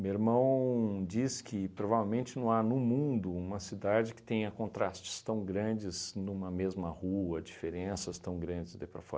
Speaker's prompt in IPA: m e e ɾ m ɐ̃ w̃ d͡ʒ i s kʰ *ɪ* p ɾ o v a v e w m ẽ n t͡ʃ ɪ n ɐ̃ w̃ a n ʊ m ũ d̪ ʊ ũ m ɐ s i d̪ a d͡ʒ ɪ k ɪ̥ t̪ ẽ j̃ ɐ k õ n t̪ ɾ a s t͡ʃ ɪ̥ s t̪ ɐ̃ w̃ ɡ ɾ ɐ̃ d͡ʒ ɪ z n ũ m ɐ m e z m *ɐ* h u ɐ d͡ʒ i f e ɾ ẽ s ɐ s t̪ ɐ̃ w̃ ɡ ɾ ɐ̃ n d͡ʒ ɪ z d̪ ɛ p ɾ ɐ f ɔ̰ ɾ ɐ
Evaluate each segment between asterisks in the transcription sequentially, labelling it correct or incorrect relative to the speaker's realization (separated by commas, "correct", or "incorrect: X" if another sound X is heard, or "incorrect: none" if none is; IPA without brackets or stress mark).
correct, correct